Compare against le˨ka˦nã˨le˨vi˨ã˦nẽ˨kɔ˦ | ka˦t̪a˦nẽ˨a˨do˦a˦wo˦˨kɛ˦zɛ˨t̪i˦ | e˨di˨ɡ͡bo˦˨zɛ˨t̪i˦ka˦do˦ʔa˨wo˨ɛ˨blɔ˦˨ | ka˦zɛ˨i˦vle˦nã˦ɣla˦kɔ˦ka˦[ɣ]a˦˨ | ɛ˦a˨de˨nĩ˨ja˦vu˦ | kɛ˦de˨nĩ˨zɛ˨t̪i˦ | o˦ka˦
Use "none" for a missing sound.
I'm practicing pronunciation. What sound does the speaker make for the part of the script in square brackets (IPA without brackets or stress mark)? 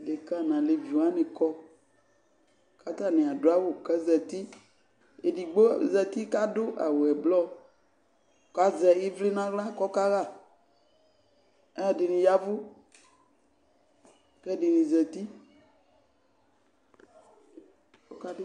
ɣ